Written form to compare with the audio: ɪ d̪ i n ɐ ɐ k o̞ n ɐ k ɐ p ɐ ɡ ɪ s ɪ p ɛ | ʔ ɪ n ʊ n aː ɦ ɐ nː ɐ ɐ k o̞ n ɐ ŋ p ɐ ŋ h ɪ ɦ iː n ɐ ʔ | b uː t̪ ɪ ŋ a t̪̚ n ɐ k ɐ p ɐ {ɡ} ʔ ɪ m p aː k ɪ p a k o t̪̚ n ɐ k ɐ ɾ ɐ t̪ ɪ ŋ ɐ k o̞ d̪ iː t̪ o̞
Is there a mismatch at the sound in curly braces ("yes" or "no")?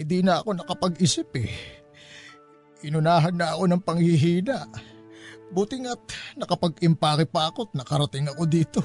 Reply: no